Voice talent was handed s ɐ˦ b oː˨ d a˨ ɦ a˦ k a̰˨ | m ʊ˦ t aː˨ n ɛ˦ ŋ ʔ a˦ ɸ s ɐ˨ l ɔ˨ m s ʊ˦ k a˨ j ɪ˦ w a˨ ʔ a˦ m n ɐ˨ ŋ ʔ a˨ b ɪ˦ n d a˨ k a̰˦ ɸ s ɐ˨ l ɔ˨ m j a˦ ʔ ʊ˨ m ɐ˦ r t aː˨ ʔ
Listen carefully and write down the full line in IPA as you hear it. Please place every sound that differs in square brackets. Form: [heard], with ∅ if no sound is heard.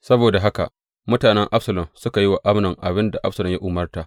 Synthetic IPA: s ɐ˦ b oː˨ d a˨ ɦ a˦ k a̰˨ | m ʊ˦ t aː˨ n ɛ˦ ŋ ʔ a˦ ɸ s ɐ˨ l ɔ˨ m s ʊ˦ k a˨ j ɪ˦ w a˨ ʔ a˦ m n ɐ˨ ŋ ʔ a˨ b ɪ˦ n d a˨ [ʔ] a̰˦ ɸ s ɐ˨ l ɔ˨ m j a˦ ʔ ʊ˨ m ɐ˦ r t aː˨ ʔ